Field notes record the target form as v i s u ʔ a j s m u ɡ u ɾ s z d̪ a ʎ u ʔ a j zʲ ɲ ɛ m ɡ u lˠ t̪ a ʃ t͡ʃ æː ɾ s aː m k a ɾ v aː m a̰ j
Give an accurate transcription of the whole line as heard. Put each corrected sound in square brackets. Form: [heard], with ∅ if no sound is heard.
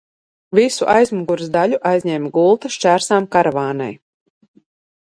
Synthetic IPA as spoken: v i s u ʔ a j [z] m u ɡ u ɾ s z d̪ a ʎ u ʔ a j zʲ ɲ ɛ m ɡ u lˠ t̪ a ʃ t͡ʃ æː ɾ s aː m k a ɾ v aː [n] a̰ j